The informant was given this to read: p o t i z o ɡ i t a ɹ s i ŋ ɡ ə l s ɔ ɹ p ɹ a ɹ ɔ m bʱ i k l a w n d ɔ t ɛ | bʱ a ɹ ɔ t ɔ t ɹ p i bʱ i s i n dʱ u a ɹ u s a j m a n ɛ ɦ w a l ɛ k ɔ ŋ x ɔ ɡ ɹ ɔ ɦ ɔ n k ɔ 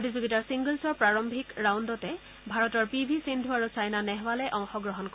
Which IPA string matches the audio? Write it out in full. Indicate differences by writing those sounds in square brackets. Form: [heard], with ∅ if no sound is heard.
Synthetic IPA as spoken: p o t i z o ɡ i t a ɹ s i ŋ ɡ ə l s ɔ ɹ p ɹ a ɹ ɔ m bʱ i k [ɹ] a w n d ɔ t ɛ | bʱ a ɹ ɔ t ɔ [∅] ɹ p i bʱ i s i n dʱ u a ɹ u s a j [n] a n ɛ ɦ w a l ɛ [ʔ] ɔ ŋ x ɔ ɡ ɹ ɔ ɦ ɔ n k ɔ